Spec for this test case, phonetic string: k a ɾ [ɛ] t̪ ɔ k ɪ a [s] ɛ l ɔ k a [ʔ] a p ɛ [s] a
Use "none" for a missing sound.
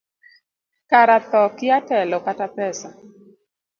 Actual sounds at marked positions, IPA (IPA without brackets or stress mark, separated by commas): a, t, t, s